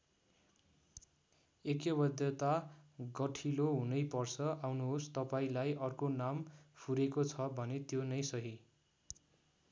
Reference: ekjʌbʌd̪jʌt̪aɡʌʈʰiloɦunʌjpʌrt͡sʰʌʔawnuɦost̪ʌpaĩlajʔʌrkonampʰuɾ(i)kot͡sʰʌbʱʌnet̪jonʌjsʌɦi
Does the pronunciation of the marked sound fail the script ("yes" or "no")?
yes